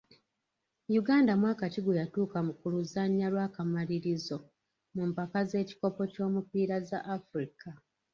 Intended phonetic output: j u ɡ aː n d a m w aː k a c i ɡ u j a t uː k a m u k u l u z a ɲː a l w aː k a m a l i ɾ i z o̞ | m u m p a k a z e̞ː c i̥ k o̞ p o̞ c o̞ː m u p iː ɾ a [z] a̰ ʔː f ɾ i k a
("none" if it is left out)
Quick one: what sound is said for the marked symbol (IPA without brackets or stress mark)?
z